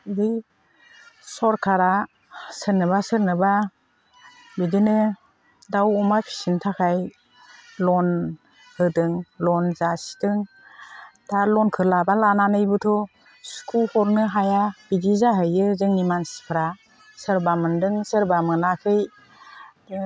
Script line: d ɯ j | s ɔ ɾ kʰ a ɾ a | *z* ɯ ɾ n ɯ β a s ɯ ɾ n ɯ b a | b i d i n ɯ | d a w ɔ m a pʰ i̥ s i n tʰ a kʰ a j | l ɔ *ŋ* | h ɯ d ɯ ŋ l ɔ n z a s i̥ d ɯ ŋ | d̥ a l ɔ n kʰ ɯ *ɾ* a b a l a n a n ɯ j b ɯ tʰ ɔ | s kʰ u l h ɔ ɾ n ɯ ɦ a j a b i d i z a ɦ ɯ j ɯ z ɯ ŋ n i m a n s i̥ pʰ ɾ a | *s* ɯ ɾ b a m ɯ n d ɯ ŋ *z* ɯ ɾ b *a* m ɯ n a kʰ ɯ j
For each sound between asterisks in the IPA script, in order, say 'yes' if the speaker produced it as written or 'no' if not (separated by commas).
no, no, no, yes, no, yes